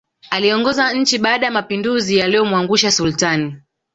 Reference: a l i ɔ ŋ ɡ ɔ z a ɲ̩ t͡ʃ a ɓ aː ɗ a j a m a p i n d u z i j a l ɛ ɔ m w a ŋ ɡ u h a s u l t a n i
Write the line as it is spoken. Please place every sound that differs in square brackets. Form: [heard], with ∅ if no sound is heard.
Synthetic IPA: a l i ɔ ŋ ɡ ɔ z a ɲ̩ t͡ʃ [i] ɓ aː ɗ a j a m a p i n d u z i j a l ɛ ɔ m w a ŋ ɡ u [ʃ] a s u l t a n i